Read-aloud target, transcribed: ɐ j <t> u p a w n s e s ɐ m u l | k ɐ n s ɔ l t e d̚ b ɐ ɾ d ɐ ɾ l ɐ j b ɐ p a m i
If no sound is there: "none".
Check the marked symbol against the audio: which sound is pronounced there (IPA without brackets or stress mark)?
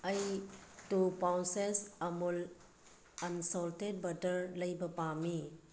t